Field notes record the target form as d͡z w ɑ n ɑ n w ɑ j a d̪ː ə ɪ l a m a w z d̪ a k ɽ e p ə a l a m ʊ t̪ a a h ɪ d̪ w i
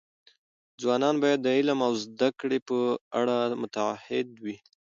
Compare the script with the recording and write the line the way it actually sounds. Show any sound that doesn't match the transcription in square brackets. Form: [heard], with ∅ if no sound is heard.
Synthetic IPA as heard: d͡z w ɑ n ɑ n [b] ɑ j a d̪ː ə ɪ l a m a w z d̪ a k ɽ e p ə a [ɽ] a m ʊ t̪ a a h ɪ d̪ w i